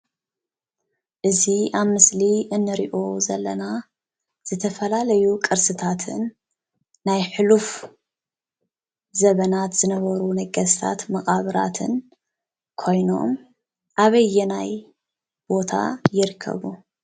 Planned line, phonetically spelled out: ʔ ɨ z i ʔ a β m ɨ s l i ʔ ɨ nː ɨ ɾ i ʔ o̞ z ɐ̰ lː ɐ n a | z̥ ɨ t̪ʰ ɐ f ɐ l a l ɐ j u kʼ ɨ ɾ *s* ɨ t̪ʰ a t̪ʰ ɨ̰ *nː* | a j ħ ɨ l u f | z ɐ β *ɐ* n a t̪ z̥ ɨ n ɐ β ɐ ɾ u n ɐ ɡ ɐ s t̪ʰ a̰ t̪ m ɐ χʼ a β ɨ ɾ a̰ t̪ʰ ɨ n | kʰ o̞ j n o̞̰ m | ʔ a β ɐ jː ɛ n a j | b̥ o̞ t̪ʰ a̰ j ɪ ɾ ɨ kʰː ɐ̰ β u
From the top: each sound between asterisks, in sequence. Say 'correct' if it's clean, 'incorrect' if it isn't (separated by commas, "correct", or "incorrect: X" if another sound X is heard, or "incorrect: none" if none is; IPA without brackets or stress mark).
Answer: correct, correct, correct